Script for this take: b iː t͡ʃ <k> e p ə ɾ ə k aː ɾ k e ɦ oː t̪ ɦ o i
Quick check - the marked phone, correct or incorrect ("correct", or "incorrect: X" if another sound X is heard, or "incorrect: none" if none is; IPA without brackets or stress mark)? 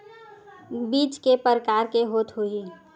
correct